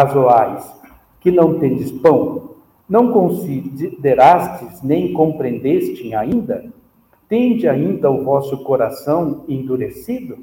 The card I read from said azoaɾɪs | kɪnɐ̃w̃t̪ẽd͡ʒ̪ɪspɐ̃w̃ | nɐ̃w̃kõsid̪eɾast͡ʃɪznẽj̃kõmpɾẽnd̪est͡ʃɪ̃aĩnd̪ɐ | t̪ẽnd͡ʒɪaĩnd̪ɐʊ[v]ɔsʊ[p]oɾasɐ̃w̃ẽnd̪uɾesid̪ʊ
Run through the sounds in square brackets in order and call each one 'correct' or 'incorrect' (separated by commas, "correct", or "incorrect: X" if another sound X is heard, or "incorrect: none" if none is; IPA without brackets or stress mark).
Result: correct, incorrect: k